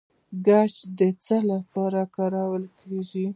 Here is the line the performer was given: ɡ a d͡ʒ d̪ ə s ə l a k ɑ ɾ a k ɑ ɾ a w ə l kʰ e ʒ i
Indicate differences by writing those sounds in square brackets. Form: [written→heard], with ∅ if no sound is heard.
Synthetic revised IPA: ɡ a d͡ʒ d̪ ə [s→t͡s] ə l a [k→p] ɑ ɾ a k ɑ ɾ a w ə l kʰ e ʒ i